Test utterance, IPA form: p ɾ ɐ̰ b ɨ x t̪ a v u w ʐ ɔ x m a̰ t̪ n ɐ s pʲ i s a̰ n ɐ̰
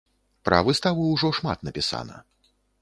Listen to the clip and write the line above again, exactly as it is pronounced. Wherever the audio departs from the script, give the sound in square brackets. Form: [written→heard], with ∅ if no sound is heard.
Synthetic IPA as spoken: p ɾ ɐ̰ [b→v] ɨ [x→s] t̪ a v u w ʐ ɔ [x→ʂ] m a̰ t̪ n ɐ [s→∅] pʲ i s a̰ n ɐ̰